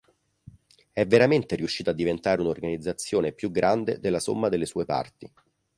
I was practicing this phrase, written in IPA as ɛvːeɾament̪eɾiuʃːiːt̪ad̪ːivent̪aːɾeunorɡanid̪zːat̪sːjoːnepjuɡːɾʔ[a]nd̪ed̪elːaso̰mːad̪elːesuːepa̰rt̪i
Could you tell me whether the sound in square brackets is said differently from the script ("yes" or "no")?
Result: no